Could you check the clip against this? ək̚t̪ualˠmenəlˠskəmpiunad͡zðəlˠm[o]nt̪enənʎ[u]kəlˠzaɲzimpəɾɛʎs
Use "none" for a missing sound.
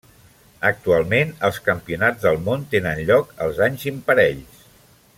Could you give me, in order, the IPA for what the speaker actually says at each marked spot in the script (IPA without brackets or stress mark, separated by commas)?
o, ɔ